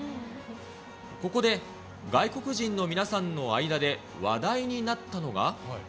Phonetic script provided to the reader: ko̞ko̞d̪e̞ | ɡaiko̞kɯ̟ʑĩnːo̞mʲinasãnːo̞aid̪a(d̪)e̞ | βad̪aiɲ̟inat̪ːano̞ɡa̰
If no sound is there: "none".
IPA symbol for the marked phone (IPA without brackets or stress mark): d̪